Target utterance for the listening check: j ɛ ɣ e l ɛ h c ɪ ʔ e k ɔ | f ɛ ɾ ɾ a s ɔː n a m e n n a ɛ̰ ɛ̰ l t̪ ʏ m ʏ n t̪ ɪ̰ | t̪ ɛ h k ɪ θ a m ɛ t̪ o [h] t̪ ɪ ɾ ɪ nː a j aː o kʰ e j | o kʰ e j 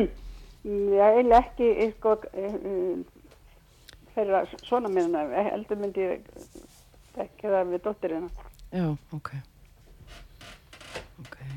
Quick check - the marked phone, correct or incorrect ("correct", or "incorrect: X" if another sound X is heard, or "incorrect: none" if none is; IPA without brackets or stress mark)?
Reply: correct